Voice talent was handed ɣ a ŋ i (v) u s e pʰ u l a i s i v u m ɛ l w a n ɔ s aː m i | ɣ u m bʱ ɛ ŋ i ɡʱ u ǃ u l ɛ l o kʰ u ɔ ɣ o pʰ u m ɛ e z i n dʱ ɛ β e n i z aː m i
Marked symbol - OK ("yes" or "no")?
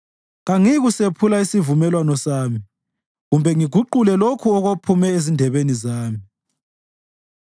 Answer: no